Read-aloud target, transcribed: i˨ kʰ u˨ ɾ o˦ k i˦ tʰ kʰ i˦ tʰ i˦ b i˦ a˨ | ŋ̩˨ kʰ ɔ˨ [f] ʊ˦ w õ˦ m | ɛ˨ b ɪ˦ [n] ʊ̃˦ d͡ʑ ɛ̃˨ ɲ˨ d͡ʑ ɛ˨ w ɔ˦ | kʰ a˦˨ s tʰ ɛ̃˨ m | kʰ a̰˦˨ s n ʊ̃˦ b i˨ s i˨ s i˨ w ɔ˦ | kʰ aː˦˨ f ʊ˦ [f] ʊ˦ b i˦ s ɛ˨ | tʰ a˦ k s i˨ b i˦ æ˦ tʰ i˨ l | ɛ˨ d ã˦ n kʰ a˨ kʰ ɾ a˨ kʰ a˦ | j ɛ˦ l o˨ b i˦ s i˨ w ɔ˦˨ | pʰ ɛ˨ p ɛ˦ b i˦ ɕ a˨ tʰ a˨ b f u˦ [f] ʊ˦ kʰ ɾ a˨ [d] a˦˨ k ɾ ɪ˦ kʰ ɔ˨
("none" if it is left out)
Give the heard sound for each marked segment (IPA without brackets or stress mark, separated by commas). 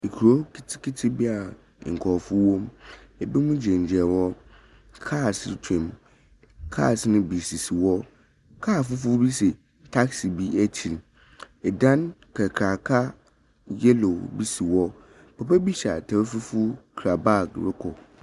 f, m, f, f, b